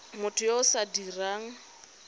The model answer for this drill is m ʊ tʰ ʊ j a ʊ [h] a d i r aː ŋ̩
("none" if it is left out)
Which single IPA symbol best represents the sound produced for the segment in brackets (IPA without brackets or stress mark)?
s